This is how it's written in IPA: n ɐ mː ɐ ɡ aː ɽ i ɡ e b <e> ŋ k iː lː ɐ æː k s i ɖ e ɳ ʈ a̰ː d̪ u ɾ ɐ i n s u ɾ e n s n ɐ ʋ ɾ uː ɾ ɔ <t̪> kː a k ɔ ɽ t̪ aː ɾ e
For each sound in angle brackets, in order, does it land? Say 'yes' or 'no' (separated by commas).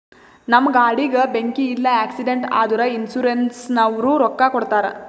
yes, no